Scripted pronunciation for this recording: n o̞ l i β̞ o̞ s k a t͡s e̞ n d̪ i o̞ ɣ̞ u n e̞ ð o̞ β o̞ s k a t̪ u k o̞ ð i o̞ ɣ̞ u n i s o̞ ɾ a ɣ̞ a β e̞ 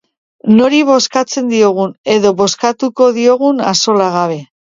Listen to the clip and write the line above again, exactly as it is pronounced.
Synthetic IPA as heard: n o̞ ɾ i β̞ o̞ s k a t͡s e̞ n d̪ i o̞ ɣ̞ u n e̞ ð o̞ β o̞ s k a t̪ u k o̞ ð i o̞ ɣ̞ u n a s o̞ l a ɣ̞ a β e̞